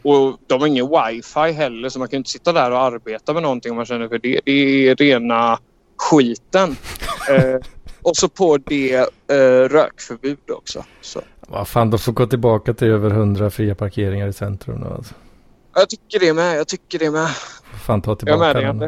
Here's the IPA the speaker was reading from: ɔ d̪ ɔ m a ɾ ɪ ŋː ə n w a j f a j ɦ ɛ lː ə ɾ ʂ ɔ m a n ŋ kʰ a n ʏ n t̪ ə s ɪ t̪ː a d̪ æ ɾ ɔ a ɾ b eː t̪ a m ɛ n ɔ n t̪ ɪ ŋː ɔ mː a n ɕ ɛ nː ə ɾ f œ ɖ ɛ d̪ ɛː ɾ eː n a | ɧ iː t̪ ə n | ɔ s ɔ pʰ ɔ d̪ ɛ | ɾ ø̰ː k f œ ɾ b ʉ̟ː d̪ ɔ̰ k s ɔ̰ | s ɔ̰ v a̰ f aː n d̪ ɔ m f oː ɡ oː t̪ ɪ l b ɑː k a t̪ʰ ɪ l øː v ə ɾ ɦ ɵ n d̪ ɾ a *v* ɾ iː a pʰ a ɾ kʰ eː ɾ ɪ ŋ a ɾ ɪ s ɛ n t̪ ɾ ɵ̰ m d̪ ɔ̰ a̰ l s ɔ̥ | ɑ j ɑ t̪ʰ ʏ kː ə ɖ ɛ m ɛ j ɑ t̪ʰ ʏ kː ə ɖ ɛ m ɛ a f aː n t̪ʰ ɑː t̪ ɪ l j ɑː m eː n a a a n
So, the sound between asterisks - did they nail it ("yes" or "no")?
no